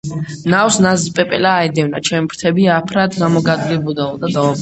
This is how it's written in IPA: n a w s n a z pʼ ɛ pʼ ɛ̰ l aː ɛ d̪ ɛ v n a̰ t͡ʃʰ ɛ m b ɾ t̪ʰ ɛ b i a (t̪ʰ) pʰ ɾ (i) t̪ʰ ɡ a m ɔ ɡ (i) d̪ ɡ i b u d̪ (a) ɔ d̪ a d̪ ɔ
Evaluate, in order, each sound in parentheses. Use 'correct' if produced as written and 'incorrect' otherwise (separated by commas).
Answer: incorrect, incorrect, incorrect, correct